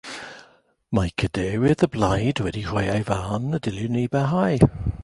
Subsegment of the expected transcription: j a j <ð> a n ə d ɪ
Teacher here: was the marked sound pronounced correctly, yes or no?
no